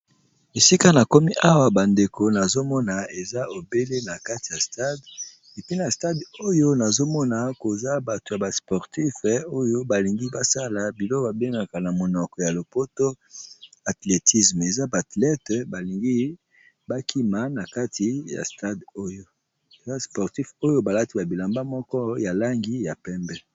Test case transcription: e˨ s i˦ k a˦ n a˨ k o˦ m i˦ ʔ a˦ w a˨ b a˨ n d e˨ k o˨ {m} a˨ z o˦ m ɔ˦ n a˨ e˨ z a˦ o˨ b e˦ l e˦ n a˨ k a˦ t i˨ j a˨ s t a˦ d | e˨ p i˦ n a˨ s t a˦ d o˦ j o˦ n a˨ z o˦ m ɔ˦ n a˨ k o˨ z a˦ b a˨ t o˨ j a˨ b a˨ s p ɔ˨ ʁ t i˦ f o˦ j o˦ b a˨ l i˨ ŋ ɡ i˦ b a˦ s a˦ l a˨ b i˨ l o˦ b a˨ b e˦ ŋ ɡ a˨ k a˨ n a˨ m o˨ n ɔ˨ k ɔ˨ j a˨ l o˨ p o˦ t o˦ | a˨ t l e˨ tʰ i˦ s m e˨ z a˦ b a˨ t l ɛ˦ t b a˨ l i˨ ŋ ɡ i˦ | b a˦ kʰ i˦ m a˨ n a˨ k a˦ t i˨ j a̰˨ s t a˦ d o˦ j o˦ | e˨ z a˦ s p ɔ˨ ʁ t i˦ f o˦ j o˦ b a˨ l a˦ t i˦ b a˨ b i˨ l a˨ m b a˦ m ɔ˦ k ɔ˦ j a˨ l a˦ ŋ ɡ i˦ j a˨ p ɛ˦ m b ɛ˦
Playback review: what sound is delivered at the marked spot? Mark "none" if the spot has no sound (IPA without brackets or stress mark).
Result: n